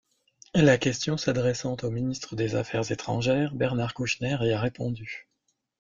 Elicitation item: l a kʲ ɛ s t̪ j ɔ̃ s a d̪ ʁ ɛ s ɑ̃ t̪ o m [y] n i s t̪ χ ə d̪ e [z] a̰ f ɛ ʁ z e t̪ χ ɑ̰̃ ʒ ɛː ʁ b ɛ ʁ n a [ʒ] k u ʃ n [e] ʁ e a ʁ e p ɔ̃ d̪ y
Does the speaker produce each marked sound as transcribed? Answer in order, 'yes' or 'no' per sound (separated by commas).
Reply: no, yes, no, no